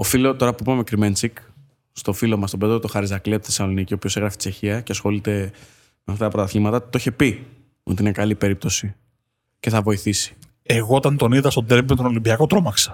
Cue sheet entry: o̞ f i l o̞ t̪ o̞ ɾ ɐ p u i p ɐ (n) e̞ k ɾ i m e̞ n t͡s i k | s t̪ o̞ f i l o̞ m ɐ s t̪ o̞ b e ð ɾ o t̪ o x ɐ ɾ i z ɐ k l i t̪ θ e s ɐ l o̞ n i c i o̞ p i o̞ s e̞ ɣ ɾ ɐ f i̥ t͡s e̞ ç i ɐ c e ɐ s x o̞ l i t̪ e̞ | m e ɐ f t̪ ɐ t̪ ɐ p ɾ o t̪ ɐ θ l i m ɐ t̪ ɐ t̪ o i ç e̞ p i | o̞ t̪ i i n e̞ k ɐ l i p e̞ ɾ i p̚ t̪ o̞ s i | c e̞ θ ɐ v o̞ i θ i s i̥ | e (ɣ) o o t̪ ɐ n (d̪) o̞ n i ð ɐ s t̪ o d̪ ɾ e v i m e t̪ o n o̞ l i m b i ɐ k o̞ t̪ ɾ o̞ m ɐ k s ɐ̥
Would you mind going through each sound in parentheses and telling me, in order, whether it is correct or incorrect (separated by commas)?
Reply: incorrect, correct, incorrect